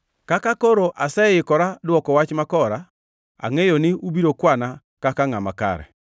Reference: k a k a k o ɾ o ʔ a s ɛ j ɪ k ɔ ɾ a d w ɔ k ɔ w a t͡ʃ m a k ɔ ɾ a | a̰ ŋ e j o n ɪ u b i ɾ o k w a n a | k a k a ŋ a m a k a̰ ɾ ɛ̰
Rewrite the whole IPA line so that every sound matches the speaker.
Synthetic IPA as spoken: k a k a k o ɾ o ʔ a s ɛ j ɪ k ɔ ɾ a d w ɔ k ɔ w a t͡ʃ m a k ɔ ɾ a | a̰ ŋ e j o n ɪ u b i ɾ o k w a n a | k a k a ŋ a m a k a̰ ɾ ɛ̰